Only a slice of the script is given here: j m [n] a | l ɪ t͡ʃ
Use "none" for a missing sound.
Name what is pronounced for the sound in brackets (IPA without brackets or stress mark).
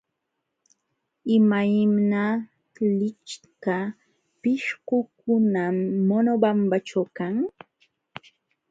n